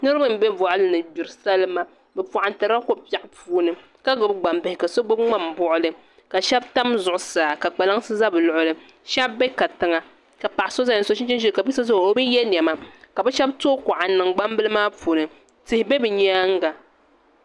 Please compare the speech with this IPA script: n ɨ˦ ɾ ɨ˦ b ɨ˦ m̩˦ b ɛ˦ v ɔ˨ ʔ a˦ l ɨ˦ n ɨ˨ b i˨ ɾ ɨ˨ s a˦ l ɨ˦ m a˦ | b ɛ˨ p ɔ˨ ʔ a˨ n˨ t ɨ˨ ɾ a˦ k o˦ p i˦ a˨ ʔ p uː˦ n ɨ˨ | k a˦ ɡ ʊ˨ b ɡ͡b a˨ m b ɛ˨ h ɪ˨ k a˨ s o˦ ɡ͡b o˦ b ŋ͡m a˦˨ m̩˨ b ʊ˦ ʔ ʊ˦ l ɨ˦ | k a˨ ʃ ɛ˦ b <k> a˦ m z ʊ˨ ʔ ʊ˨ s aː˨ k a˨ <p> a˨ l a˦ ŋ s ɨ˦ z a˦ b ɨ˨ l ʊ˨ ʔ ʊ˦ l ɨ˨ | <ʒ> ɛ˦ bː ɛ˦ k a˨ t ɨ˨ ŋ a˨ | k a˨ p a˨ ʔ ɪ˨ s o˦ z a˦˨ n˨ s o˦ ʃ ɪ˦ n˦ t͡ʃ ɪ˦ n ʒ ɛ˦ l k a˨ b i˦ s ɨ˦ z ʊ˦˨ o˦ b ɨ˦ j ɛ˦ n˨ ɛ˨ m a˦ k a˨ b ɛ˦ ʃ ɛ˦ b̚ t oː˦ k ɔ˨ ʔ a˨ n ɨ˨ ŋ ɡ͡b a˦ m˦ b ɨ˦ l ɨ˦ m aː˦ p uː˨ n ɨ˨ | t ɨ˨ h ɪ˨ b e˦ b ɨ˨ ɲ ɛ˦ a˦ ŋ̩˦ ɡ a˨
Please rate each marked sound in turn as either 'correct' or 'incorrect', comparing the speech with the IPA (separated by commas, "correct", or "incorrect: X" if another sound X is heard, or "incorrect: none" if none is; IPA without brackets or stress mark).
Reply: incorrect: t, incorrect: k͡p, incorrect: ʃ